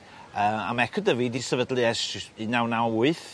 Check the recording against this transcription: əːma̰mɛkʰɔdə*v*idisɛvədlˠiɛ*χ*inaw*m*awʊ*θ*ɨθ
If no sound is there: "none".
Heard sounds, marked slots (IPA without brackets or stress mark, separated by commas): v, s, n, none